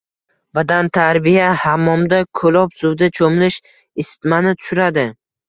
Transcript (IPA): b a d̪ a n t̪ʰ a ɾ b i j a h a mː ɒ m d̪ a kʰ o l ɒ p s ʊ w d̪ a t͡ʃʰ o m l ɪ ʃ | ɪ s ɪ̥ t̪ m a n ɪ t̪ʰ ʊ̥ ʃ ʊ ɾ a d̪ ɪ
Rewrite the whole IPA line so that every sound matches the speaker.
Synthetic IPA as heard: b a d̪ a n t̪ʰ a ɾ b i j a h a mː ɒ m d̪ a kʰ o l ɒ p s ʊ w d̪ a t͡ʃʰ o m l ɪ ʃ | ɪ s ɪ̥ t̪ m a n ɪ t̪ʰ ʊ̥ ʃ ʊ ɾ a d̪ ɪ